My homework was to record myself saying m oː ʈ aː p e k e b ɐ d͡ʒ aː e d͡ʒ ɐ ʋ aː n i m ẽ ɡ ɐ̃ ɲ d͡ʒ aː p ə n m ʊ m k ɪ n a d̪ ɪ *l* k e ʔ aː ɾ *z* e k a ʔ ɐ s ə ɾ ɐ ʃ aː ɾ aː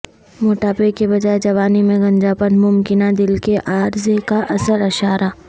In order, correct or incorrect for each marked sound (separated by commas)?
correct, correct